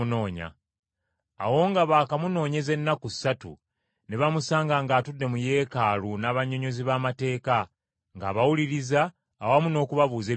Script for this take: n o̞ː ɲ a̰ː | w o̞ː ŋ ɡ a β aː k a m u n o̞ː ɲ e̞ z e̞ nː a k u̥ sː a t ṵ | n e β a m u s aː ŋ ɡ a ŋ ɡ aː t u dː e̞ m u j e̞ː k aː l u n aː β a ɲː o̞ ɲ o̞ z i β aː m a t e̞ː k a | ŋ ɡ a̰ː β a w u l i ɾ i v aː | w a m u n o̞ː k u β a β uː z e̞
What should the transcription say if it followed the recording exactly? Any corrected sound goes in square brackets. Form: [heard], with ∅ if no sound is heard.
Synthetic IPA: n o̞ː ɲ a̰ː | w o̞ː ŋ ɡ a β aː k a m u n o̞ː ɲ e̞ z e̞ nː a k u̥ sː a t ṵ | n e β a m u s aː ŋ ɡ a ŋ ɡ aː t u dː e̞ m u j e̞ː k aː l u n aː β a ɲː o̞ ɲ o̞ z i β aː m a t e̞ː k a | ŋ ɡ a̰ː β a w u l i ɾ i [z] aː | w a m u n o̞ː k u β a β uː z e̞